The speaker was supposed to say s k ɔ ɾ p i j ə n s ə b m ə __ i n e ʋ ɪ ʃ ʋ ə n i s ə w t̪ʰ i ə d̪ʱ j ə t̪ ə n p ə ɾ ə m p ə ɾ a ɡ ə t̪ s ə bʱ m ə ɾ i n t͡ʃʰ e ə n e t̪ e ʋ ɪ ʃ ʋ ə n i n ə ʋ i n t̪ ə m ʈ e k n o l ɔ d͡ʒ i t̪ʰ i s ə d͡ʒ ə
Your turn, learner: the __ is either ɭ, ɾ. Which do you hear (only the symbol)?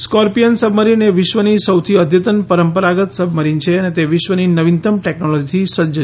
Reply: ɾ